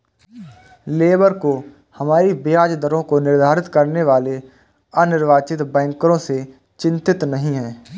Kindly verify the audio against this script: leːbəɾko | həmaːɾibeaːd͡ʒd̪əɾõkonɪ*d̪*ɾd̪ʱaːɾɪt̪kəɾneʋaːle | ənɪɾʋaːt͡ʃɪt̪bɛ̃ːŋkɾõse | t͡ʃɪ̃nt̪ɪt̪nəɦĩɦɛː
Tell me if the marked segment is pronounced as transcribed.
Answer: no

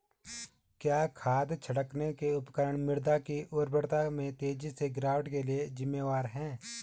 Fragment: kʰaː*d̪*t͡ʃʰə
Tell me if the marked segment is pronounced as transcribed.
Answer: yes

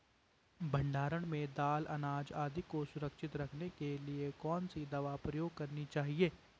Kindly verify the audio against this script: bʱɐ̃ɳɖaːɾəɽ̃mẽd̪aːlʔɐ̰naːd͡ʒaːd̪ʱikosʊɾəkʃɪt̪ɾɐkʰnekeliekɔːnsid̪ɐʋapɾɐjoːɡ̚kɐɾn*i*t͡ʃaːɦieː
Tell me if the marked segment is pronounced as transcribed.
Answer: yes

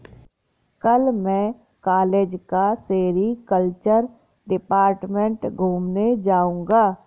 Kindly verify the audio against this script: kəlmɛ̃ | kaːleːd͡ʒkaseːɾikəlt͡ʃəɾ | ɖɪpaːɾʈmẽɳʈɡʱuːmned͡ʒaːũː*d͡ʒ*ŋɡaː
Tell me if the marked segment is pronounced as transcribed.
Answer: no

